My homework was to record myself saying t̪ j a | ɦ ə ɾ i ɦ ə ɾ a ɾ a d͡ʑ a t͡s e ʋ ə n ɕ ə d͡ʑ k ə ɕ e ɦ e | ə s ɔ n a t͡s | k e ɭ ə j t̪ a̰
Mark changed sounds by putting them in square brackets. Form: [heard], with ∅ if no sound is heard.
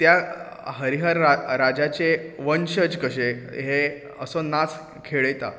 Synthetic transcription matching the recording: t̪ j a | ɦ ə ɾ i ɦ ə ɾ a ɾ a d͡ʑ a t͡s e ʋ ə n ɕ ə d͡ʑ k ə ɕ e ɦ e | ə s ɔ n a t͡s | [kʰ] e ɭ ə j t̪ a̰